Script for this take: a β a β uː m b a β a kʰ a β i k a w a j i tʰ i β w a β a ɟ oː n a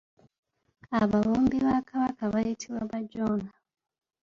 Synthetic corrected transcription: a β a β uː m b i β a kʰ a β a k a β a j i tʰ i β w a β a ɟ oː n a